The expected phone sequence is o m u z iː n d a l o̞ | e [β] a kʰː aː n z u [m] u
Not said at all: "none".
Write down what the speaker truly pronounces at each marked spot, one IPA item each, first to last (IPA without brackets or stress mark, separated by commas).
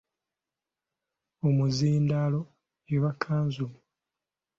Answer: β, m